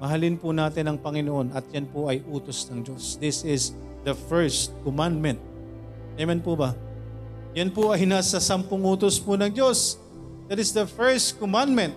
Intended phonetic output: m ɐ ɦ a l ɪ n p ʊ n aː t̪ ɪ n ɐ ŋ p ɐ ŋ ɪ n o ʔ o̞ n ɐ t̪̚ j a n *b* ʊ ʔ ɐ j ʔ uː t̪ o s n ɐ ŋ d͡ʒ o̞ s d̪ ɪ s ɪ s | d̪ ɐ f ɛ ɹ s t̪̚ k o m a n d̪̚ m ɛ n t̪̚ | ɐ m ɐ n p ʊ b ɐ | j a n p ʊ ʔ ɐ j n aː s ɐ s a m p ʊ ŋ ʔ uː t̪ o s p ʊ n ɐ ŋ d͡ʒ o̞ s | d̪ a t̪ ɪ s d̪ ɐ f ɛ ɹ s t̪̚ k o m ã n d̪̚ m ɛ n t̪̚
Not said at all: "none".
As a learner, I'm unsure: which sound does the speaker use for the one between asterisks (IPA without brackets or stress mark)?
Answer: p